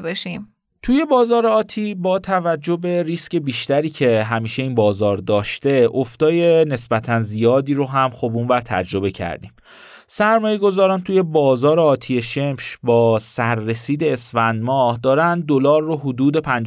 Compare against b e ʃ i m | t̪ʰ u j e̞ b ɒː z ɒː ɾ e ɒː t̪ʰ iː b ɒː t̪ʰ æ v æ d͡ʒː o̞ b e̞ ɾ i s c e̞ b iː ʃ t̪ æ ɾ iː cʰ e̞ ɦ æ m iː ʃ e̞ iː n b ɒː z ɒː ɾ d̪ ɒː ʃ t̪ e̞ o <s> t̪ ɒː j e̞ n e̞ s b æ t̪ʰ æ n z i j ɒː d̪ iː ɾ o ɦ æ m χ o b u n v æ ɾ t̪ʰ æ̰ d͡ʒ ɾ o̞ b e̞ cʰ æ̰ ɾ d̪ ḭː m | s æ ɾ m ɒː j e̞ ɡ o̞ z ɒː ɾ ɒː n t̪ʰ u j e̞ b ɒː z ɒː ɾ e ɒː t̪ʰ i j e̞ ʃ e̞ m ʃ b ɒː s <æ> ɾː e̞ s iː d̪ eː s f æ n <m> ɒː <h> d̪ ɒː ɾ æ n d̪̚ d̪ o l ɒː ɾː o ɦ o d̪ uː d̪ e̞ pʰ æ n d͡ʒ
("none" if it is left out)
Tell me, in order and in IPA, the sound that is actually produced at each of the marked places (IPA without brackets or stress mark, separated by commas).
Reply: f, æ, m, h